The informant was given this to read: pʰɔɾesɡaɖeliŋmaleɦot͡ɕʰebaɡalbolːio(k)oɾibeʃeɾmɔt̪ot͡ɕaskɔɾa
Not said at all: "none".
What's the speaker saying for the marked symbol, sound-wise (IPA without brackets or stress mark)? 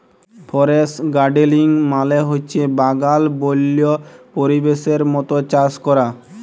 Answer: p